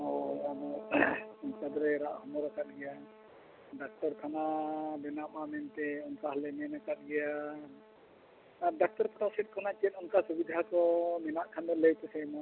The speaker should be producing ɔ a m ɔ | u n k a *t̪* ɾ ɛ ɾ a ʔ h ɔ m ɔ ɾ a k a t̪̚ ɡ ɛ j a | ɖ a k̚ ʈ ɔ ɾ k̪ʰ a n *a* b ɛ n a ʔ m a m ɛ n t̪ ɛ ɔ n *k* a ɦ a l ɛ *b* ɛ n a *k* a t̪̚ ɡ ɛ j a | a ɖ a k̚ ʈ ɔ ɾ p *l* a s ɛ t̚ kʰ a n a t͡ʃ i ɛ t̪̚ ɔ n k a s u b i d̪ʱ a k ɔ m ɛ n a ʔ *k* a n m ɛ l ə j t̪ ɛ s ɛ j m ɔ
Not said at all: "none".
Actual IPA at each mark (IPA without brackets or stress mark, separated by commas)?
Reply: d̪, a, k, m, k, ɾ, kʰ